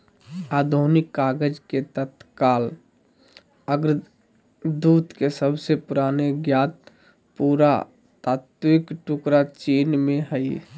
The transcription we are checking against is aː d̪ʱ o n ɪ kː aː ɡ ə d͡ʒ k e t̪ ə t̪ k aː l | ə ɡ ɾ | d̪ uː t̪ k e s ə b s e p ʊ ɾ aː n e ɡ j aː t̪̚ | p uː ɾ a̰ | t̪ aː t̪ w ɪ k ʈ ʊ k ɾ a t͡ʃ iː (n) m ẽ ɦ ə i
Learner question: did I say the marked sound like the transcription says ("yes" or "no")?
yes